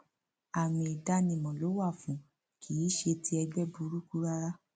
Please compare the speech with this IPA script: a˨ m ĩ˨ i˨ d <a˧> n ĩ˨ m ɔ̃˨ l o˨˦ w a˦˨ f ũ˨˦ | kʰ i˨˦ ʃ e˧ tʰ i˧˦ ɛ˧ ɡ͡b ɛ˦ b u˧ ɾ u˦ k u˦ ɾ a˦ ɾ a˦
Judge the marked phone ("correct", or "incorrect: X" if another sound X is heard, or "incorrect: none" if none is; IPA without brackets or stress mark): correct